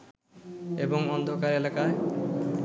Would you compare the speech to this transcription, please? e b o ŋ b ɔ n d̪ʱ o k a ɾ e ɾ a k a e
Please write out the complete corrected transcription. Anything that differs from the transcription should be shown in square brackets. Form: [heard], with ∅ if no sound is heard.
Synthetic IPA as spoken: e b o ŋ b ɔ n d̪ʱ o k a ɾ e [l] a k a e